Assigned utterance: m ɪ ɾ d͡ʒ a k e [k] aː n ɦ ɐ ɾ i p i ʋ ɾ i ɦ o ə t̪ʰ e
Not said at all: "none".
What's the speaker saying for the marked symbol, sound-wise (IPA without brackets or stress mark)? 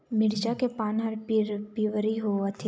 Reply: p